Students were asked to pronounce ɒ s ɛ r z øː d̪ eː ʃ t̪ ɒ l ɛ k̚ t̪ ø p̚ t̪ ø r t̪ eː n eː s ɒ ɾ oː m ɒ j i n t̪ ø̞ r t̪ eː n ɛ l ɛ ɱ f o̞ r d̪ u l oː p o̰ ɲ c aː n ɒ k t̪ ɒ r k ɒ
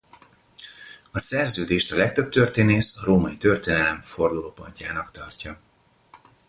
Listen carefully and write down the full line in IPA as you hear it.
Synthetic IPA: ɒ s ɛ r z øː d̪ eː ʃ t̪ ɒ l ɛ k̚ t̪ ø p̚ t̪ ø r t̪ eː n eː s ɒ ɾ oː m ɒ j i t̪ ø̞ r t̪ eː n ɛ l ɛ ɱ f o̞ r d̪ u l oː p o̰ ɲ c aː n ɒ k t̪ ɒ r c ɒ